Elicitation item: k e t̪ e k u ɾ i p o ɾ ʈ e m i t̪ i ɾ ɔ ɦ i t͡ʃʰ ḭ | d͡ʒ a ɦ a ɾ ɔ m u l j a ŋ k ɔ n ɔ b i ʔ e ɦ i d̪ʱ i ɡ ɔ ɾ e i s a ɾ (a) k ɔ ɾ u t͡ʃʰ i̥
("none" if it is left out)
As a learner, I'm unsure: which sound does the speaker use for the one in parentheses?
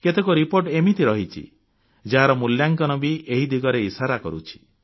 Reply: a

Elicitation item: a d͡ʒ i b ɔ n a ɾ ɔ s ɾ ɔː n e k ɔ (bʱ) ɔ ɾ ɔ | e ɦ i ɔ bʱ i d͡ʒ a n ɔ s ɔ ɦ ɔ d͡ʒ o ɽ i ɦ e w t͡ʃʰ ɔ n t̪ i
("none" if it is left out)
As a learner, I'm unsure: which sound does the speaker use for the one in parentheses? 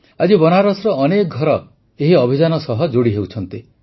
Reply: ɡʱ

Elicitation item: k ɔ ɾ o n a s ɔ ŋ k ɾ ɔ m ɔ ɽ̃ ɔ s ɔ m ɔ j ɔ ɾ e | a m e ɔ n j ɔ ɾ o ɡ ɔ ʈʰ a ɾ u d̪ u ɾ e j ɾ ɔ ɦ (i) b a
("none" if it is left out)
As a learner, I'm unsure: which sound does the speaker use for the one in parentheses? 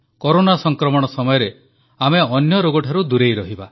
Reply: i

